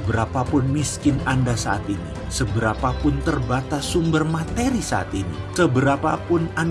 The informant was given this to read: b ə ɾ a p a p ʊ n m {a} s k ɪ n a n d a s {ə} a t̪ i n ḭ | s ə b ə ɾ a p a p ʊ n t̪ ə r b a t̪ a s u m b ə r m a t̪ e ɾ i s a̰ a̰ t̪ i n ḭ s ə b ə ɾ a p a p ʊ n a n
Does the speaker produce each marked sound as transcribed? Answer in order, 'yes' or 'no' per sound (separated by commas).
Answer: no, no